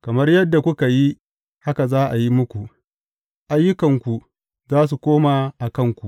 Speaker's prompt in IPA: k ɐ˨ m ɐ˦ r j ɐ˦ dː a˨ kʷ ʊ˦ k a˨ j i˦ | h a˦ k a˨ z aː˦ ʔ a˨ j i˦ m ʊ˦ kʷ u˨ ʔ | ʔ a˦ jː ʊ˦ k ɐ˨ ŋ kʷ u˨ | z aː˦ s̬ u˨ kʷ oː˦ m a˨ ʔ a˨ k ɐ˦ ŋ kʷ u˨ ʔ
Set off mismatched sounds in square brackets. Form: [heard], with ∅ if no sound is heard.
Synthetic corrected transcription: k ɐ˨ m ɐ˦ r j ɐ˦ dː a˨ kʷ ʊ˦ k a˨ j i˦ | h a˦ k a˨ z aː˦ ʔ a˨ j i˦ m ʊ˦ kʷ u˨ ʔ | ʔ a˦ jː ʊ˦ k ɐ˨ ŋ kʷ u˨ | z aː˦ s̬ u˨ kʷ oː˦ m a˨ ʔ a˨ k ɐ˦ ŋ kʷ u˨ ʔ